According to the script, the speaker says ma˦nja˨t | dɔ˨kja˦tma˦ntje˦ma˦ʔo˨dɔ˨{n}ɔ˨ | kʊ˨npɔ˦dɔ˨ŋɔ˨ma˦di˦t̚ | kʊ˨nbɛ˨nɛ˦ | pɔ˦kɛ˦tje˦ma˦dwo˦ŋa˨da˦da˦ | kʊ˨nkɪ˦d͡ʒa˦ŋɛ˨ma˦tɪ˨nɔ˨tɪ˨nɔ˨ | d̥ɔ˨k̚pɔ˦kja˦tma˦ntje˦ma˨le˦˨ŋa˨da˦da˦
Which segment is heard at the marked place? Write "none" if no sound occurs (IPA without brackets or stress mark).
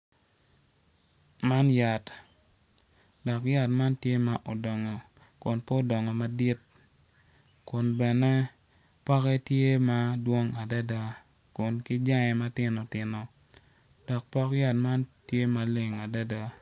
ŋ